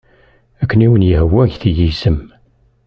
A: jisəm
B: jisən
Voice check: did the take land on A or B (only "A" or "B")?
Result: A